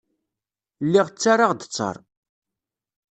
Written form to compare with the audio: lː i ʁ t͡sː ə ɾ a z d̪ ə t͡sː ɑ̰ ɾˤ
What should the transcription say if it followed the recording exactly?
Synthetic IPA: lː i ʁ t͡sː a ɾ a ʁ d̪ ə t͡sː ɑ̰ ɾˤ

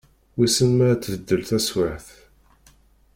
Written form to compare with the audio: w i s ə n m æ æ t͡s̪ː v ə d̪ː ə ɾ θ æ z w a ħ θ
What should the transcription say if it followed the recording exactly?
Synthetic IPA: w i s ə n m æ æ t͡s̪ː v ə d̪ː ə l θ æ s w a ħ θ

